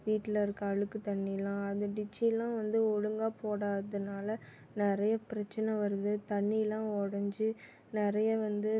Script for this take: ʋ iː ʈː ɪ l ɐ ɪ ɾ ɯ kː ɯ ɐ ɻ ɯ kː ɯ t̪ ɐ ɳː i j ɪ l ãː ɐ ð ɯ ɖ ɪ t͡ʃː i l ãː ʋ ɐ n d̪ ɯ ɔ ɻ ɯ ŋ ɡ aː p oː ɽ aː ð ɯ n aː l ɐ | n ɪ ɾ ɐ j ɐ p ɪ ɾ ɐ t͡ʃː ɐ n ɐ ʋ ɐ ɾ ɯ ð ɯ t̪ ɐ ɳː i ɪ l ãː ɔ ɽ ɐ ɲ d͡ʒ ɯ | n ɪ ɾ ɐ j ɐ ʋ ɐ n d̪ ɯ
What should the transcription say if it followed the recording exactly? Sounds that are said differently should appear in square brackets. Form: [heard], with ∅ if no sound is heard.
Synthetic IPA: ʋ iː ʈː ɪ l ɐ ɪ ɾ ɯ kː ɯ ɐ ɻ ɯ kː ɯ t̪ ɐ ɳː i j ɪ l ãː ɐ ð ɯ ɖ ɪ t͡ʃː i l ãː ʋ ɐ n d̪ ɯ ɔ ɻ ɯ ŋ ɡ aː p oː ɽ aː ð ɯ n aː l ɐ | n ɪ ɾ ɐ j ɐ p ɪ ɾ ɐ t͡ʃː ɐ n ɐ ʋ ɐ ɾ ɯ ð ɯ t̪ ɐ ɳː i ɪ l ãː ɔ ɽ ɐ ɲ d͡ʒ ɯ | n ɪ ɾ ɐ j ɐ ʋ ɐ n d̪ ɯ